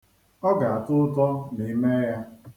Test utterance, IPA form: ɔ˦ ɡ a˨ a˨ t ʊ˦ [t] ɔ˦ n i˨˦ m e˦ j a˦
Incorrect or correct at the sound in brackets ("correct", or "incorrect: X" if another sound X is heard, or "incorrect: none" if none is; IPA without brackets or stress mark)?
correct